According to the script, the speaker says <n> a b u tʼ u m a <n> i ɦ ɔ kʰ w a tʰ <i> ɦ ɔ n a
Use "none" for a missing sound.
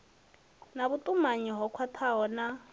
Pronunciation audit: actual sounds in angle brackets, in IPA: n, ɲ, a

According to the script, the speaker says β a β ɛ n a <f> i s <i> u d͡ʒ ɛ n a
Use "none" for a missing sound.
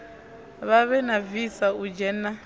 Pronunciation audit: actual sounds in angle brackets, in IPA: v, a

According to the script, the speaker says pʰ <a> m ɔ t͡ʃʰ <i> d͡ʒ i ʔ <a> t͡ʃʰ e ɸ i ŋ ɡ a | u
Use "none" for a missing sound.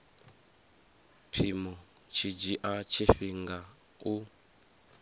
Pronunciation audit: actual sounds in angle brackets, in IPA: i, i, a

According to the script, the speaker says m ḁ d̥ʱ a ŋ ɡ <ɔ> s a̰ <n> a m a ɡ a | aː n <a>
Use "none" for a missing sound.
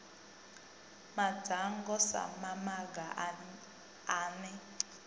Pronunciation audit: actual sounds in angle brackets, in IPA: ɔ, m, ɛ

